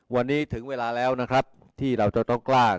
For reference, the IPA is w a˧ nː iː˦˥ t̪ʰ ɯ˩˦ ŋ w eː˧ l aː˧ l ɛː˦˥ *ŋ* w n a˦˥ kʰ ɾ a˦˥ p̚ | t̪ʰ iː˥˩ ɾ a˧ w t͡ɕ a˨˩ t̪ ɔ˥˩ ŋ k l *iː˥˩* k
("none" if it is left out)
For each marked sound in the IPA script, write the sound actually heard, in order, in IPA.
none, aː˥˩

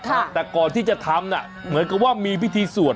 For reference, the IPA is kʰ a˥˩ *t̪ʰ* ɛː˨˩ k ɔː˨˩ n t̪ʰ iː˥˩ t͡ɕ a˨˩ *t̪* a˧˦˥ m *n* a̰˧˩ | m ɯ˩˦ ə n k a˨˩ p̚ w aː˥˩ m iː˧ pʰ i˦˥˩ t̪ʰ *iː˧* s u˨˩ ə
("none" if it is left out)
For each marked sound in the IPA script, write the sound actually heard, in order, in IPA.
t̪, t̪ʰ, n, iː˧

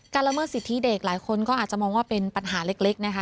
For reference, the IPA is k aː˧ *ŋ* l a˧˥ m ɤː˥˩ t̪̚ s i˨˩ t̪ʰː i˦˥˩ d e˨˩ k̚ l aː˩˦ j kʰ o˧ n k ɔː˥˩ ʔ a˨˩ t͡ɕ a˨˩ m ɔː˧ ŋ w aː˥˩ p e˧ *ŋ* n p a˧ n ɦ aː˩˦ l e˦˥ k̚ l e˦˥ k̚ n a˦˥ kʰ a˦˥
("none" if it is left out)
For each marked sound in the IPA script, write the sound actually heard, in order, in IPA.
n, none

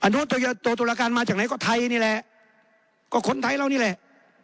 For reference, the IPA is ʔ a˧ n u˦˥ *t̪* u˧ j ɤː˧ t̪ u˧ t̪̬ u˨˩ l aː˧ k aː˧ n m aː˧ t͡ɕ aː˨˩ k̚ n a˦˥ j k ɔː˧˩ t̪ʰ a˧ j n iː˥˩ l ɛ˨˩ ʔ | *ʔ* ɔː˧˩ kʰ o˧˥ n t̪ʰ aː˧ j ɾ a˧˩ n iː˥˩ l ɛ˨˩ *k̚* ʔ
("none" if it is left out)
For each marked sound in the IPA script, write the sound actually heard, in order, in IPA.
t̪, k, none

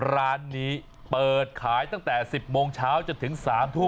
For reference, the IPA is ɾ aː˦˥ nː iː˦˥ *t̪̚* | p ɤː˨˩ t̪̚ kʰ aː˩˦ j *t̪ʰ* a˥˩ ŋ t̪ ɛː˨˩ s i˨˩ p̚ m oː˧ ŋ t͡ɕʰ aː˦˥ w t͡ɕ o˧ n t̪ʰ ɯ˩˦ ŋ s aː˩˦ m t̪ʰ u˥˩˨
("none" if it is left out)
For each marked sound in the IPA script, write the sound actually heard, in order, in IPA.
none, t̪

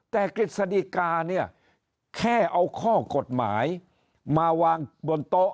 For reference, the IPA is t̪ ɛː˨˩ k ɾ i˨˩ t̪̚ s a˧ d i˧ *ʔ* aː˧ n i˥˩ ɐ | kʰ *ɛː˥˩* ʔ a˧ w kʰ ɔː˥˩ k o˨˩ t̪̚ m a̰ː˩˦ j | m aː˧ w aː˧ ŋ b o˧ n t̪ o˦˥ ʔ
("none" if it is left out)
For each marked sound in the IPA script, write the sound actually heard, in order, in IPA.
k, ɛː˥˩

